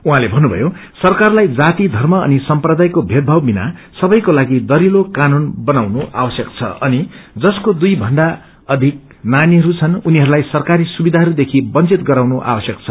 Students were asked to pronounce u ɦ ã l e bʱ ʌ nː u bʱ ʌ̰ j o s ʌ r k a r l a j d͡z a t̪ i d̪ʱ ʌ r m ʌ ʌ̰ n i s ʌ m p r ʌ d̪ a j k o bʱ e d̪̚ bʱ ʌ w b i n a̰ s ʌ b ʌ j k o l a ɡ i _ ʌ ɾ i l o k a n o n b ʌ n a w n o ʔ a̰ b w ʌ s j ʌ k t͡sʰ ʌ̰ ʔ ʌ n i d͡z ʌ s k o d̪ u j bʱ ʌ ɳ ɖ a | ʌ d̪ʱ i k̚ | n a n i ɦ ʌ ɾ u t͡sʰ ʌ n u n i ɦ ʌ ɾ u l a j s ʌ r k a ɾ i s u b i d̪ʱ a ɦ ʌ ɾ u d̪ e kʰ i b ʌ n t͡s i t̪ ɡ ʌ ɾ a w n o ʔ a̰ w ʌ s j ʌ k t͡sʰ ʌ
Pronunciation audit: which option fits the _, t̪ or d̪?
d̪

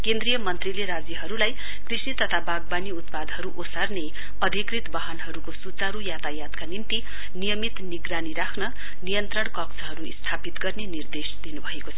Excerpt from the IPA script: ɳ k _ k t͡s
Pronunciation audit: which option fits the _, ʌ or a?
ʌ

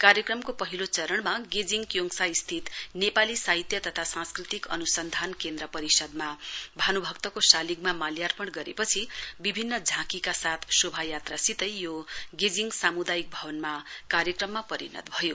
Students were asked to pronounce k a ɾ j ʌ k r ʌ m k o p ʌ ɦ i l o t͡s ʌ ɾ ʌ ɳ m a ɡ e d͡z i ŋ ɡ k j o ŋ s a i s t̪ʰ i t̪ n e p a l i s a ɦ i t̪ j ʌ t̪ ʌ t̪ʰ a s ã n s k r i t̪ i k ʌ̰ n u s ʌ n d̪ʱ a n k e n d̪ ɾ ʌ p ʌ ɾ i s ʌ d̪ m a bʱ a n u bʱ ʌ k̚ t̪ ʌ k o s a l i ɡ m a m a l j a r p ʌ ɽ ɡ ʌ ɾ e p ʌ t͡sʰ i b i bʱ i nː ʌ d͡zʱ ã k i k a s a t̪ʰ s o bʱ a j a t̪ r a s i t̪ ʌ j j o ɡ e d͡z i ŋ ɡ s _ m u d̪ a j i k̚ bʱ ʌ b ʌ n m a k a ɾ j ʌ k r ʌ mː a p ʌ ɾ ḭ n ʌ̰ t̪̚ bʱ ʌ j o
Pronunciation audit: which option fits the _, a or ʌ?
a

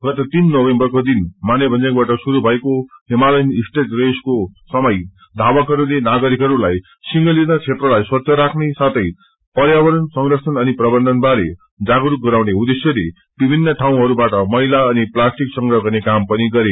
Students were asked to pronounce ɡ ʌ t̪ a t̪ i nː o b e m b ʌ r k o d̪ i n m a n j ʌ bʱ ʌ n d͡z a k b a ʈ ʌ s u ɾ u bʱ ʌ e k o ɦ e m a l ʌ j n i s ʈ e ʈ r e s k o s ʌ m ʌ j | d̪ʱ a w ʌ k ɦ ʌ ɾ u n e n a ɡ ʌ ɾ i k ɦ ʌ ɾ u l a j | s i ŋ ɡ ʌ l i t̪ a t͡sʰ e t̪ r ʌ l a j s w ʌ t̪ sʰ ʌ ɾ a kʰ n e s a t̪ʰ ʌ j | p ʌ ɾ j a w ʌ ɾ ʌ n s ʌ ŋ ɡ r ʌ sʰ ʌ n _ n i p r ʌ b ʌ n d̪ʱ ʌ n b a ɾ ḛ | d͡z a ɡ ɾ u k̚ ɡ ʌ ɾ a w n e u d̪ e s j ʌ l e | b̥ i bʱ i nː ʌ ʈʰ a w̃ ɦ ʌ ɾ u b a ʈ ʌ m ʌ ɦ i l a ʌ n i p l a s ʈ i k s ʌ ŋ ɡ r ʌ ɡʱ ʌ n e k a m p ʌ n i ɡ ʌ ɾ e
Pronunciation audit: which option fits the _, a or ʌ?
ʌ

